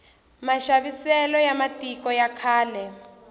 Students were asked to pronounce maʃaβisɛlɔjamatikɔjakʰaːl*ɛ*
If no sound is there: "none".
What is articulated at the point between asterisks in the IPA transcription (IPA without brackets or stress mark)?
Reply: ɛ